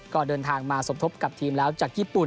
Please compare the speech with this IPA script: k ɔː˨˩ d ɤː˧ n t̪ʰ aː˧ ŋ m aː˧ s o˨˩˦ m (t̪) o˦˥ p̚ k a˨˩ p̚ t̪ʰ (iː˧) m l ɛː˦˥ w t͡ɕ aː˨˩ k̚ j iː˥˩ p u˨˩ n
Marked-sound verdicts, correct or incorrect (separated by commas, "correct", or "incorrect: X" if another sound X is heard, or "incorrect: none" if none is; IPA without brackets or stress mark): incorrect: t̪ʰ, correct